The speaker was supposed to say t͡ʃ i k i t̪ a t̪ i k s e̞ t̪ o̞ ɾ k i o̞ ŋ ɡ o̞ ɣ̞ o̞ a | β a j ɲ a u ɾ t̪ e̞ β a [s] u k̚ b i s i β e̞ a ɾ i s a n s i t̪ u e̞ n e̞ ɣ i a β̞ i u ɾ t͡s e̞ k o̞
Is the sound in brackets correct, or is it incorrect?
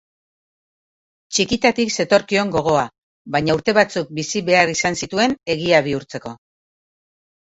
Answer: incorrect